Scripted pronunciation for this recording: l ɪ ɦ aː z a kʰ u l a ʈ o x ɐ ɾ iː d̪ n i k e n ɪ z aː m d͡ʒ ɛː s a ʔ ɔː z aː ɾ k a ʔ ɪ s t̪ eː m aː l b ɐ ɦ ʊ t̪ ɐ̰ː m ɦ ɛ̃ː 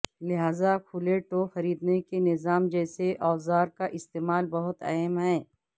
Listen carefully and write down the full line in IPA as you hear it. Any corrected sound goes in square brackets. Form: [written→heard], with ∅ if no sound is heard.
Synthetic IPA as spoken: l ɪ ɦ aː z a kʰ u l [a→e] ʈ o x ɐ ɾ iː d̪ n [i→e] k e n ɪ z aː m d͡ʒ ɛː s [a→e] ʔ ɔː z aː ɾ k a ʔ ɪ s t̪ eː m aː l b ɐ ɦ ʊ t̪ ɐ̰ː m ɦ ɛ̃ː